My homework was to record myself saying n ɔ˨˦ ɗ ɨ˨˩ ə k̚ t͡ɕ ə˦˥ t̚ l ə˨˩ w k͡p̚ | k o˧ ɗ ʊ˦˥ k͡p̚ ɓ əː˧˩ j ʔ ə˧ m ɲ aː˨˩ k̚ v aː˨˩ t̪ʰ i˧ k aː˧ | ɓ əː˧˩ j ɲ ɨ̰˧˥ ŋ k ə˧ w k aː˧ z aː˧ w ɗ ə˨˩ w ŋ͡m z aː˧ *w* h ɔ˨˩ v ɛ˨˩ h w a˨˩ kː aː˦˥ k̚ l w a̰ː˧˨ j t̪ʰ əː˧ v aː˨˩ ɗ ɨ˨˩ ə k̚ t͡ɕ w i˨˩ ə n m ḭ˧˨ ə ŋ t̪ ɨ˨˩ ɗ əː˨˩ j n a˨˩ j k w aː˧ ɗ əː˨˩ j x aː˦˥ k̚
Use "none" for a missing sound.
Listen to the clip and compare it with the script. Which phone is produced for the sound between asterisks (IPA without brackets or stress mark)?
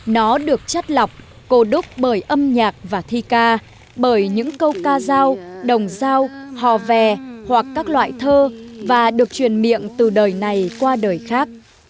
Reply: w